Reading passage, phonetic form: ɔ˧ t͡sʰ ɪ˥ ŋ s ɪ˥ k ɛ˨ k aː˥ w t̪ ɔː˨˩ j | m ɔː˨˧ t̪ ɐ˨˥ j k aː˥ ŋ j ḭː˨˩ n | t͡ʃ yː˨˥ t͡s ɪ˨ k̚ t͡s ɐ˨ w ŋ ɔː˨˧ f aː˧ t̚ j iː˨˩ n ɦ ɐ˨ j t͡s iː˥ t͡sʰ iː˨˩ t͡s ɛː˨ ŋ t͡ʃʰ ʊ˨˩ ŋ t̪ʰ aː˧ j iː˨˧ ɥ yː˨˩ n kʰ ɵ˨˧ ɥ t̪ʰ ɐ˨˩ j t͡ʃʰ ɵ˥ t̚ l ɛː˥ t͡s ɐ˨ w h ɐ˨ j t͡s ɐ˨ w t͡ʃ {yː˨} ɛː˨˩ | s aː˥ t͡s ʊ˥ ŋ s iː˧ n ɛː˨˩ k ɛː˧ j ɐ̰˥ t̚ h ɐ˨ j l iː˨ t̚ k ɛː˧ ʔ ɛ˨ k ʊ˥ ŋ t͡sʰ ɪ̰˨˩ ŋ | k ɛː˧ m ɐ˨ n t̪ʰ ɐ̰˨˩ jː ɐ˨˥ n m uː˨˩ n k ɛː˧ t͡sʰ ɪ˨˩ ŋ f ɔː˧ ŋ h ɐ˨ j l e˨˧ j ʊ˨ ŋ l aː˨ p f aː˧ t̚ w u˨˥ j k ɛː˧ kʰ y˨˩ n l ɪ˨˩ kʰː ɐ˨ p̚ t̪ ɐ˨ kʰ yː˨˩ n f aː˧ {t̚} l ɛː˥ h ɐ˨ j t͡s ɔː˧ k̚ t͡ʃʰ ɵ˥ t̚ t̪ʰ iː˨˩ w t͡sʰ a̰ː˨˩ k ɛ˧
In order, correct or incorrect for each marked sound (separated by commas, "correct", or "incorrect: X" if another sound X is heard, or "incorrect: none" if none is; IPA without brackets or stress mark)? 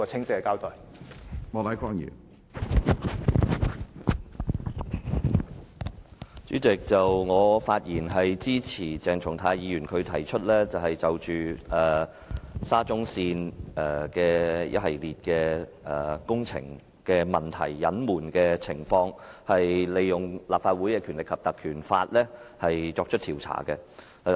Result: correct, correct